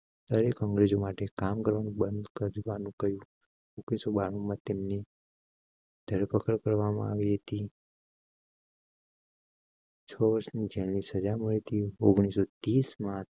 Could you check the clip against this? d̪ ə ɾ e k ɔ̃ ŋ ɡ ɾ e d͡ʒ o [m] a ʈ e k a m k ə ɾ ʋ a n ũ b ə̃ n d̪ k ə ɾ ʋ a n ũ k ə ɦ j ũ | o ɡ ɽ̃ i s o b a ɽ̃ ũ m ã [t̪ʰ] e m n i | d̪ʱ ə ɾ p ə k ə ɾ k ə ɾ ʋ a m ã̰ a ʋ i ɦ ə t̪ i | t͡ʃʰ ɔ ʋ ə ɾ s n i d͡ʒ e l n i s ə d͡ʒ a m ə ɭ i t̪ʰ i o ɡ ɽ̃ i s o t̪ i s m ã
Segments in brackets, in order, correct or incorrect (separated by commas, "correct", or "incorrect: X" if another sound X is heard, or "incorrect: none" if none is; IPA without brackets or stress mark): correct, incorrect: t̪